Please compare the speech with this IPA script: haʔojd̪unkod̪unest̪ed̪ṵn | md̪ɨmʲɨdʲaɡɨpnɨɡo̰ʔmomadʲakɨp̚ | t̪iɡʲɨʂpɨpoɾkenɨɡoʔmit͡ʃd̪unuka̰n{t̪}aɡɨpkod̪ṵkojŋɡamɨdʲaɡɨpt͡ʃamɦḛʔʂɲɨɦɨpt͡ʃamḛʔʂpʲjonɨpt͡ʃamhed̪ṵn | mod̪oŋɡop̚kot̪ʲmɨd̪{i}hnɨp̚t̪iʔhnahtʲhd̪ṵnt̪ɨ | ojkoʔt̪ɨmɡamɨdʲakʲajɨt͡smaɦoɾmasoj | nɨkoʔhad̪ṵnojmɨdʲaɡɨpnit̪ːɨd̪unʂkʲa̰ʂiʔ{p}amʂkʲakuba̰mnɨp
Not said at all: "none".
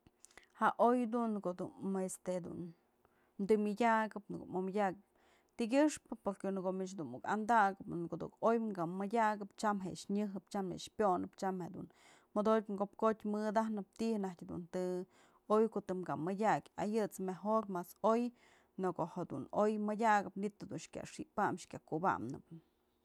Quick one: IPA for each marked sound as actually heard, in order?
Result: d̪, a, p

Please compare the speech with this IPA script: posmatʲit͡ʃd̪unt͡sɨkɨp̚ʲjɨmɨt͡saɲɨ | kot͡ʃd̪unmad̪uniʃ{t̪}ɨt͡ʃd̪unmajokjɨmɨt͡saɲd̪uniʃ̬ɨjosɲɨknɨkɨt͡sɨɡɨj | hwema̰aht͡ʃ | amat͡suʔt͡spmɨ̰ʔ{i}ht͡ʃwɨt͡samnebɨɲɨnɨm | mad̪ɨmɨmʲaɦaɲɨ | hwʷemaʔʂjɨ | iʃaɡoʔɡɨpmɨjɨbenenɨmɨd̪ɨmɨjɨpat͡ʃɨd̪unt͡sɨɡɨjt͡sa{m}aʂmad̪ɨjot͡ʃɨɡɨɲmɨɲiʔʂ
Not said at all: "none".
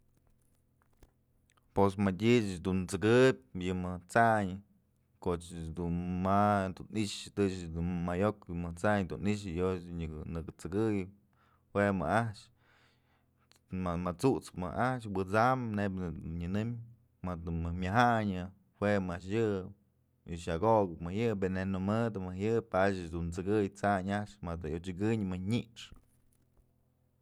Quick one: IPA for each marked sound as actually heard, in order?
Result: t̪, a, ɲ

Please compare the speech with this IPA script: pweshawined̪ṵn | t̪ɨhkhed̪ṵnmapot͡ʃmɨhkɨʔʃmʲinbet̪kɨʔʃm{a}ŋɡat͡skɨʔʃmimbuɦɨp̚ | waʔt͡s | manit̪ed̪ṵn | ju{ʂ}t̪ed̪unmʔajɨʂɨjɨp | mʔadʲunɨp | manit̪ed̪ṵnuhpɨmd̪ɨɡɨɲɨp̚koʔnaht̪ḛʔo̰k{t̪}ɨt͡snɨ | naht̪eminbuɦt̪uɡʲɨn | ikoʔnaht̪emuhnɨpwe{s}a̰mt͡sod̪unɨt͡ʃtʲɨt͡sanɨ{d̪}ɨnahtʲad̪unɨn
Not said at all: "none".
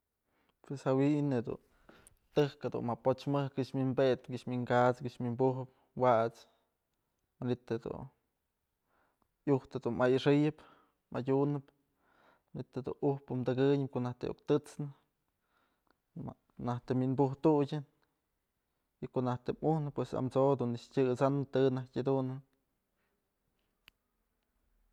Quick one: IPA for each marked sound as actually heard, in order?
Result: i, h, t̪, s, t̪

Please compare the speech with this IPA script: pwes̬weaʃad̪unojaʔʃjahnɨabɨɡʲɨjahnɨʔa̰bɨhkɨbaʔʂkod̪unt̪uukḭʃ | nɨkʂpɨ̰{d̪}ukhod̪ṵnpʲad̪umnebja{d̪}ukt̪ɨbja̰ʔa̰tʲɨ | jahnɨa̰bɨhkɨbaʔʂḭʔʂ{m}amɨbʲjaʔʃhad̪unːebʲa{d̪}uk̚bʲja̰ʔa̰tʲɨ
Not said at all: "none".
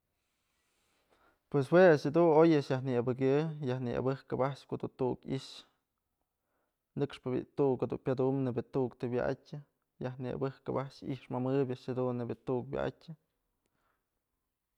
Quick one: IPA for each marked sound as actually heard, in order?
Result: t̪, t̪, m, t̪

